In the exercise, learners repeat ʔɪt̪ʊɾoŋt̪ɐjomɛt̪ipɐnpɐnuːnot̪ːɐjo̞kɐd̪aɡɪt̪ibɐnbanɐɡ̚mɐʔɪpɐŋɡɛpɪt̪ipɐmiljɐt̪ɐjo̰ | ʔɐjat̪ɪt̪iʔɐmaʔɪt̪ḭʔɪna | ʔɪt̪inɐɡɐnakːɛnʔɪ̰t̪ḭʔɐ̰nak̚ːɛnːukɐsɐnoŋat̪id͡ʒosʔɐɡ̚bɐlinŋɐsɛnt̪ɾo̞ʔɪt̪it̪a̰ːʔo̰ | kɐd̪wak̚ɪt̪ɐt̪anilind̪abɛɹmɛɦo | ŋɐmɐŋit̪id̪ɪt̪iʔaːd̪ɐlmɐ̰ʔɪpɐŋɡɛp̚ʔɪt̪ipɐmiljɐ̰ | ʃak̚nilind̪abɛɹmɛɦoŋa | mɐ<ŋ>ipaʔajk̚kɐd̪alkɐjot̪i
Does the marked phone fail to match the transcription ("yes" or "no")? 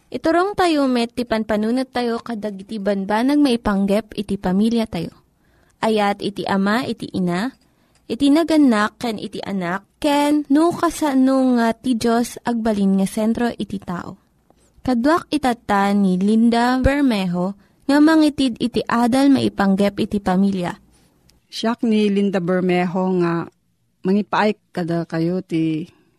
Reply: no